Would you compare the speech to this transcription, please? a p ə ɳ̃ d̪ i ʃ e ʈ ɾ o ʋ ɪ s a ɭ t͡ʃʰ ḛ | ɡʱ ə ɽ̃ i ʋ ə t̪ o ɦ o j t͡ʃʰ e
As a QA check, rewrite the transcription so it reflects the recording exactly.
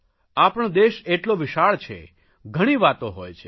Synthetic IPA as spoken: a p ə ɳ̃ d̪ e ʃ e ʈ l o ʋ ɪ ʃ a ɭ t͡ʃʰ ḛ | ɡʱ ə ɽ̃ i ʋ a t̪ o ɦ o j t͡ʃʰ e